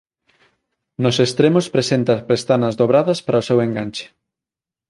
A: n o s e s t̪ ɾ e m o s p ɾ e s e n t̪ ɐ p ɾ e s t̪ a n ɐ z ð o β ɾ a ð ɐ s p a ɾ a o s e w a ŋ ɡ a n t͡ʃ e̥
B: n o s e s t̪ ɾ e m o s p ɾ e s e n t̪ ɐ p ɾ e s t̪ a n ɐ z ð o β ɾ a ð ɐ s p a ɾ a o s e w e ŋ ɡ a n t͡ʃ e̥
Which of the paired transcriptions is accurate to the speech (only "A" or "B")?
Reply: B